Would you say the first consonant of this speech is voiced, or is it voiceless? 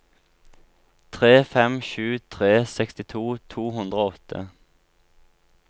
voiceless